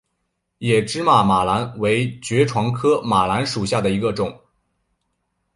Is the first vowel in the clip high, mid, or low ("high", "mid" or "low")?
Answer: mid